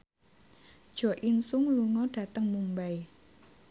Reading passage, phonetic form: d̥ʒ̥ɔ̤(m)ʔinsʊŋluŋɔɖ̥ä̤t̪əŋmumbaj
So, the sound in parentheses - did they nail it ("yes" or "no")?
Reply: no